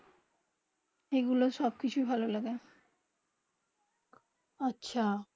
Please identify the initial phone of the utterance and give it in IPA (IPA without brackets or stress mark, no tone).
e